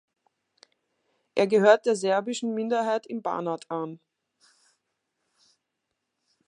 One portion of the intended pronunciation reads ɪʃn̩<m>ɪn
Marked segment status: correct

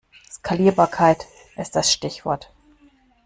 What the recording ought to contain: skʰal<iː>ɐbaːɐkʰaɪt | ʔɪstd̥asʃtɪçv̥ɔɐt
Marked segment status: correct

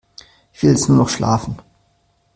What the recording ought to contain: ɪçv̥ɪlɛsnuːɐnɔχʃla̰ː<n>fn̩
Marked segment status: incorrect: none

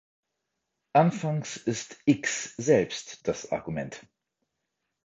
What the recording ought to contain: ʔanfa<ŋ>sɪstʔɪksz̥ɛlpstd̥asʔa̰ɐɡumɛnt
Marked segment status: correct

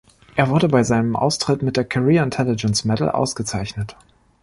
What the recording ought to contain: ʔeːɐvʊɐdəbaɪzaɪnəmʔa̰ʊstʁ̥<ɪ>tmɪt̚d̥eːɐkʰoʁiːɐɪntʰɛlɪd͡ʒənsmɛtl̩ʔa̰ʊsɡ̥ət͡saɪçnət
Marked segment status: correct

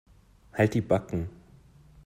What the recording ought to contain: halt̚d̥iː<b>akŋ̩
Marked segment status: correct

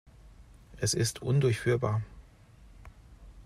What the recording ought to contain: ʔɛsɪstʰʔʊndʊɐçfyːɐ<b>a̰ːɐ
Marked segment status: correct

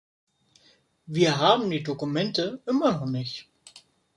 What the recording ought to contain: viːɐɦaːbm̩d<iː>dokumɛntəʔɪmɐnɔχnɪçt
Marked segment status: correct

